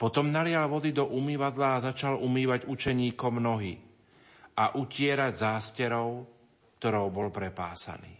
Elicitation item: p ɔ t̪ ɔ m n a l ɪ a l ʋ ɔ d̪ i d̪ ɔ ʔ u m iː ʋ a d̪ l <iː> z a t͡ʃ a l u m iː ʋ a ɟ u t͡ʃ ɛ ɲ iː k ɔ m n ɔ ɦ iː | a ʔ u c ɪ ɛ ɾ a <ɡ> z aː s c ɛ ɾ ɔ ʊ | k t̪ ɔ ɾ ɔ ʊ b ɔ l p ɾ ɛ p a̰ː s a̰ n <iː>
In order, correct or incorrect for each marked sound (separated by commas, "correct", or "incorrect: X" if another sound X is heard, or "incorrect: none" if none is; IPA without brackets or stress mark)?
incorrect: aː, incorrect: ɟ, correct